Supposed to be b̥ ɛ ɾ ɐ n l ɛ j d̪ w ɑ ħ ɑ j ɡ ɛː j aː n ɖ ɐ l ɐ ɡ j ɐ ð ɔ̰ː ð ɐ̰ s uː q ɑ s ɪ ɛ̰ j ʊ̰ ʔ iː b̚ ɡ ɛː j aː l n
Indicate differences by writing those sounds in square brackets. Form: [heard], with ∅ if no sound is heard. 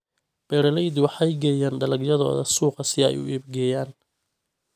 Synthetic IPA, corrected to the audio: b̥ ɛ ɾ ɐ [∅] l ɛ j d̪ w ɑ ħ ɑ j ɡ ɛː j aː n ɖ ɐ l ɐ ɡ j ɐ ð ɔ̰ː ð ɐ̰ s uː q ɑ s ɪ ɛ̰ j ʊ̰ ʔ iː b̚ ɡ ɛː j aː [∅] n